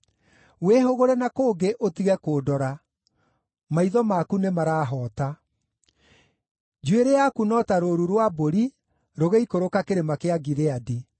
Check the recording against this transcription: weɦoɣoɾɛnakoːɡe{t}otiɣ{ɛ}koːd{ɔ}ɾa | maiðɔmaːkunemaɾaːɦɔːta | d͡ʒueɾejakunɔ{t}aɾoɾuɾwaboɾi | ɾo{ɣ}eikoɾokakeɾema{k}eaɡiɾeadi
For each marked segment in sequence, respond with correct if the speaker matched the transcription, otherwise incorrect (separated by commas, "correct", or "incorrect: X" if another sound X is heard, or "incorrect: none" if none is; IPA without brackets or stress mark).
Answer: incorrect: ʔ, correct, correct, correct, correct, correct